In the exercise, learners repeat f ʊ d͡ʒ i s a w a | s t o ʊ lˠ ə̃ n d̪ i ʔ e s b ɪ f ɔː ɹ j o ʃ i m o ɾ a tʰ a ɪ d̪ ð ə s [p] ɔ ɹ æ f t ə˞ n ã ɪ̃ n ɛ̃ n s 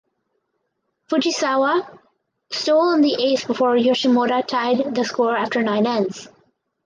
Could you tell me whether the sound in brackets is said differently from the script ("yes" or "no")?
yes